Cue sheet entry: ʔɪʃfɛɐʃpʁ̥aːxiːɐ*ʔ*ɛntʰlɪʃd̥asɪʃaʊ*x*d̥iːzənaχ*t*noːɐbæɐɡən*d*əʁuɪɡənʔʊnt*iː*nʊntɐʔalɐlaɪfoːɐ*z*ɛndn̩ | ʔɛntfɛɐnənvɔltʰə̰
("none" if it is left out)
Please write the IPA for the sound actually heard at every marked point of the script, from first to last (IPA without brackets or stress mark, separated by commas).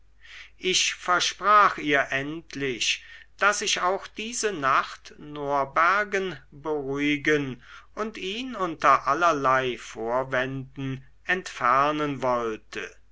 ʔ, x, t, b, iː, v